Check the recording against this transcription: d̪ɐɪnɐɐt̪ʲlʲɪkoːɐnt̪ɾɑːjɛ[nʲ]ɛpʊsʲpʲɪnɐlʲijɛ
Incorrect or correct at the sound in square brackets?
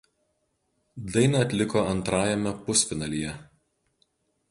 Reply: incorrect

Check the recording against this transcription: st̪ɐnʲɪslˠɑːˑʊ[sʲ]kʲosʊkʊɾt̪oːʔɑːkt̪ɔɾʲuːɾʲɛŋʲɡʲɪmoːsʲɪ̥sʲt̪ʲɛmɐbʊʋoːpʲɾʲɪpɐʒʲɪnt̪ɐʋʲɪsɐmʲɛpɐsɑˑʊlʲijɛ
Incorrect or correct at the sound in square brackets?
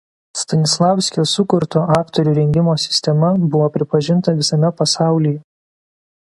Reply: correct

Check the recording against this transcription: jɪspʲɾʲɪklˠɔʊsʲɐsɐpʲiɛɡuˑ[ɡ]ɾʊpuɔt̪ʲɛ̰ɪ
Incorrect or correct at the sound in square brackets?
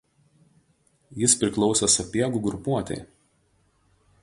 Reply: correct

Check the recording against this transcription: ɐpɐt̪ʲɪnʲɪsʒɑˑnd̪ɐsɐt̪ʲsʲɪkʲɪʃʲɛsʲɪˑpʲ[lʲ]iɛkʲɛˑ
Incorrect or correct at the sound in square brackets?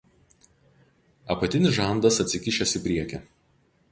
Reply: incorrect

